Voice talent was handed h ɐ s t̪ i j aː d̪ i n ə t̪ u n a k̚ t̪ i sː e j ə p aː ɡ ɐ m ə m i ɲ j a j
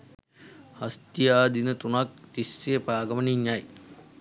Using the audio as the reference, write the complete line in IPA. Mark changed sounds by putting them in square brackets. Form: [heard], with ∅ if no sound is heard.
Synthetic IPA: h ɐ s t̪ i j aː d̪ i n ə t̪ u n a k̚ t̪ i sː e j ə p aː ɡ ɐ m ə [n] i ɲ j a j